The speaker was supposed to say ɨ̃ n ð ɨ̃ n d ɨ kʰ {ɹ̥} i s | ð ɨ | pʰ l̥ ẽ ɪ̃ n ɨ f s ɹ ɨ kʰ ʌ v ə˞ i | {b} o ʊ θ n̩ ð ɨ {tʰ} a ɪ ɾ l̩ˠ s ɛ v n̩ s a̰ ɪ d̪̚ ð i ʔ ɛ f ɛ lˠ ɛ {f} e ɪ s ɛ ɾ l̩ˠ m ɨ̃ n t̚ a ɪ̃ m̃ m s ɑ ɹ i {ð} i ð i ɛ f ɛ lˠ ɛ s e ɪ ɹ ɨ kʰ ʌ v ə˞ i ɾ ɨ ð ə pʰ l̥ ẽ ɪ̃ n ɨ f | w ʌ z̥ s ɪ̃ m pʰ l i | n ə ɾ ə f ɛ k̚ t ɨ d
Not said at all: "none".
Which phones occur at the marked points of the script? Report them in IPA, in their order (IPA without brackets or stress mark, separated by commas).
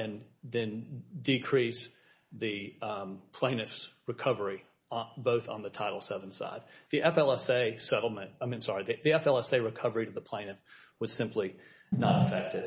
ɹ̥, b, tʰ, s, ð